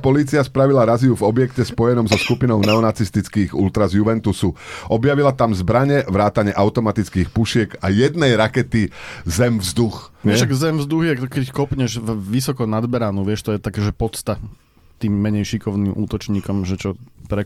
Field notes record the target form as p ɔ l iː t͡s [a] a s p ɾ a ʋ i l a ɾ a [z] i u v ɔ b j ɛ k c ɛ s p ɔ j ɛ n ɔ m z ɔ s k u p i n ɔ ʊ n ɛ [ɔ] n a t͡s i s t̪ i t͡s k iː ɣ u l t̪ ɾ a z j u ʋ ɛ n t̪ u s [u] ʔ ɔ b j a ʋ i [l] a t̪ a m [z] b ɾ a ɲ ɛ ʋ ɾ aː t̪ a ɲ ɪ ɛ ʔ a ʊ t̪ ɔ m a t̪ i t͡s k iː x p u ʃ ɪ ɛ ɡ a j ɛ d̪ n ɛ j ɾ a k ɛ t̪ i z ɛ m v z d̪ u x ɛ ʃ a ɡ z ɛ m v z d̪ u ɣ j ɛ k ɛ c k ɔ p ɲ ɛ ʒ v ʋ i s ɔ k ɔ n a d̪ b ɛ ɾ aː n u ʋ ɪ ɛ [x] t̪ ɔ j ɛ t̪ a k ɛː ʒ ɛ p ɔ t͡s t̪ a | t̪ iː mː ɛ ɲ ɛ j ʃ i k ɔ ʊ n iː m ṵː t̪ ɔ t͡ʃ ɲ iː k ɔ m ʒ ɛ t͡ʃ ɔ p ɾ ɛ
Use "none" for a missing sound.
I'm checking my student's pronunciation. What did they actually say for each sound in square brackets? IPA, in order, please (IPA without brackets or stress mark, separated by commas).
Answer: i, z, ɔ, u, l, z, ʃ